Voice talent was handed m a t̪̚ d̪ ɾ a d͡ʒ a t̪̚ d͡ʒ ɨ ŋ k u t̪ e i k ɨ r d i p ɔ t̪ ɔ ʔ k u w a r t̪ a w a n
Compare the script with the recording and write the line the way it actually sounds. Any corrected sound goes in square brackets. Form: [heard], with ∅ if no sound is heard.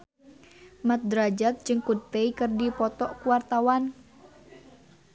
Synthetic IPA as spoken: m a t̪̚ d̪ ɾ a d͡ʒ a t̪̚ d͡ʒ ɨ ŋ k u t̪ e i k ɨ r d i p ɔ t̪ ɔ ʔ k u w a r t̪ a w a n